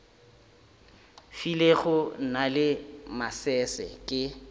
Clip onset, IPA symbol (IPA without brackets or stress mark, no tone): f